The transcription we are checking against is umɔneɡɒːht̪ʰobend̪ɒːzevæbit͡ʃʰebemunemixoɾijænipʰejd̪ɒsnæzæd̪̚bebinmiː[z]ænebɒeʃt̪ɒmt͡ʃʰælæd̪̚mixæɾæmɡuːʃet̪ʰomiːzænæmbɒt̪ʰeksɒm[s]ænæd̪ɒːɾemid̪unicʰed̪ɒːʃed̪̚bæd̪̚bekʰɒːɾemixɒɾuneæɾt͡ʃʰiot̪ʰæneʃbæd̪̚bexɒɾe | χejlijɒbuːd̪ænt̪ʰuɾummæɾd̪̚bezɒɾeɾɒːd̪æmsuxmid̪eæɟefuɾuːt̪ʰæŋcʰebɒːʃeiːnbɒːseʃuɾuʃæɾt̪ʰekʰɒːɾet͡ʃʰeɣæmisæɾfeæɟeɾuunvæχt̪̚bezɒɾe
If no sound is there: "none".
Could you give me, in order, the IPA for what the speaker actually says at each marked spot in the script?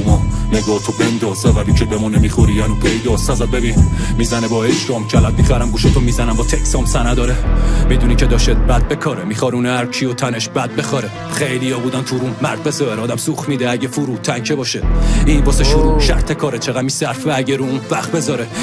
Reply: z, s

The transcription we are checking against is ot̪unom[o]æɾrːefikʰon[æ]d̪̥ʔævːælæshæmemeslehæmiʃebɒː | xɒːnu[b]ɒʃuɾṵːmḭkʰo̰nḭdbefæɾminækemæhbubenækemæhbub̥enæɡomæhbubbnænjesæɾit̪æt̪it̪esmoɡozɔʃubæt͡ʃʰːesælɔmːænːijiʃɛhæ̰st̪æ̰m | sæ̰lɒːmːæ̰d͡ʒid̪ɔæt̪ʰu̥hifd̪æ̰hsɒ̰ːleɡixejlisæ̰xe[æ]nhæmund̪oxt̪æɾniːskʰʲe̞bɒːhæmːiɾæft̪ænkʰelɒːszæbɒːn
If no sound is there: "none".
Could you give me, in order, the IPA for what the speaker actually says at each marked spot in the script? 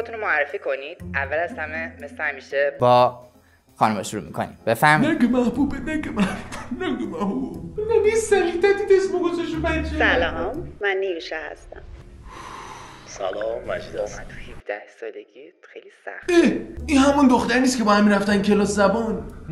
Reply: o, i, m, i

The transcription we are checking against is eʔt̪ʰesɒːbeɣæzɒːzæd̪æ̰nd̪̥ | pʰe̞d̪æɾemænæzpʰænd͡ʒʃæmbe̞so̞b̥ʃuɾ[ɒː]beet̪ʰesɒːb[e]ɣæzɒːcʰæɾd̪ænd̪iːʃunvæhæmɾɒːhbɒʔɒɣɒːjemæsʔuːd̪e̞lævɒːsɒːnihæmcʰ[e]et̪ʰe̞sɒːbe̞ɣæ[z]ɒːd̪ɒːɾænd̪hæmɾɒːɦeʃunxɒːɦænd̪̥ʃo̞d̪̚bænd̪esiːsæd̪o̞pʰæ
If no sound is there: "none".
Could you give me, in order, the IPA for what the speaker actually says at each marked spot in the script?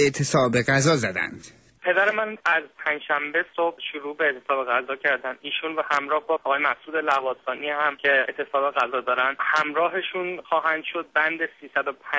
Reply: uː, e, e, z

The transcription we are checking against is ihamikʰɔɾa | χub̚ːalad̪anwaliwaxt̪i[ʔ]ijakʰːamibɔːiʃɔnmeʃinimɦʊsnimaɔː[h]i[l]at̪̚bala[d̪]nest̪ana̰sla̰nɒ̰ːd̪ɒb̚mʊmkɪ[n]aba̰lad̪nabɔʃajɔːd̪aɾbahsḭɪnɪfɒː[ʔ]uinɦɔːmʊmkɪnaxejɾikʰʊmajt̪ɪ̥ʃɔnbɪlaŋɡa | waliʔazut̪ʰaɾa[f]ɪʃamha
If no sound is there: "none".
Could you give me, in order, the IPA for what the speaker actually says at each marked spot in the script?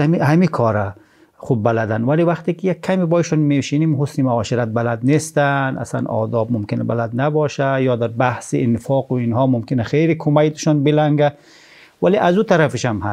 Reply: k, ʃ, ɾ, d̪, n, q, f

